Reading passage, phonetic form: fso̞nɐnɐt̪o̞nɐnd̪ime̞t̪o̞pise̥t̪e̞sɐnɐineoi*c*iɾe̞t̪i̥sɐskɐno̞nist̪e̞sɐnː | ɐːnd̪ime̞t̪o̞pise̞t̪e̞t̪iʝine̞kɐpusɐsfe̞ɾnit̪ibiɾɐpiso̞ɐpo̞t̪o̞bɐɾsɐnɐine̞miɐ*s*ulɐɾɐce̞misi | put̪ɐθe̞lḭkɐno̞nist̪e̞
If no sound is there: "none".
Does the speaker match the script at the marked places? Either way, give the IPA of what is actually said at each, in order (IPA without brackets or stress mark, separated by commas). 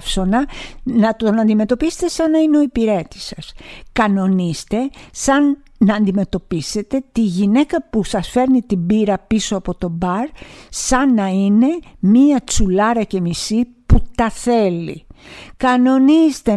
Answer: p, t͡s